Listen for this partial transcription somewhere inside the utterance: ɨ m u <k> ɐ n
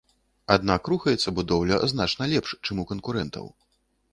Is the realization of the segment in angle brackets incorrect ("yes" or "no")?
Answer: no